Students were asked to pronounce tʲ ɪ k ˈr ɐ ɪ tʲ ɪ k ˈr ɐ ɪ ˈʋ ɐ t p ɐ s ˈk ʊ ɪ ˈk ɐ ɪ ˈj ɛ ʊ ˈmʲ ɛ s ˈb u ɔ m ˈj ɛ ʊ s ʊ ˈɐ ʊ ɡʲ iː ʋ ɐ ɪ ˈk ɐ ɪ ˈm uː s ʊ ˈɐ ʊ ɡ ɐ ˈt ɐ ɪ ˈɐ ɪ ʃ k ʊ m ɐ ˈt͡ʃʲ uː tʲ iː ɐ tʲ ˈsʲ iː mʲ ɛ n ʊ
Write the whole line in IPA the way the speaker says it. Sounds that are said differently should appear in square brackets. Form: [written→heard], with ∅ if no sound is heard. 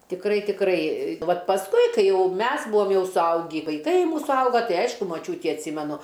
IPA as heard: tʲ ɪ k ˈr ɐ ɪ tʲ ɪ k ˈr ɐ ɪ ˈʋ ɐ t p ɐ s ˈk ʊ ɪ ˈk ɐ ɪ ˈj ɛ ʊ ˈmʲ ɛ s ˈb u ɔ m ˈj ɛ ʊ s ʊ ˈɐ ʊ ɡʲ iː ʋ ɐ ɪ ˈk ɐ ɪ ˈm uː s ʊ ˈɐ ʊ ɡ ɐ ˈt ɐ ɪ ˈɐ ɪ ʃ k ʊ m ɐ ˈt͡ʃʲ uː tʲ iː ɐ tʲ ˈsʲ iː mʲ ɛ n ʊ